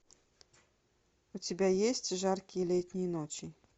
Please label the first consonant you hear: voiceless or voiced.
voiceless